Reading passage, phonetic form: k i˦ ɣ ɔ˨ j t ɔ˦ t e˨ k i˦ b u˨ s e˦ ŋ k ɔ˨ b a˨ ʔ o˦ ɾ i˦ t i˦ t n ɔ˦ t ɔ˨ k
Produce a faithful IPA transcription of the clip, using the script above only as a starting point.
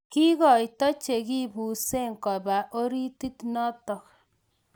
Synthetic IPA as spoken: k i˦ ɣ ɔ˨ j t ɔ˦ t͡ʃ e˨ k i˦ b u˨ s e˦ ŋ k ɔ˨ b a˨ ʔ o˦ ɾ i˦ t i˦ t n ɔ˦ t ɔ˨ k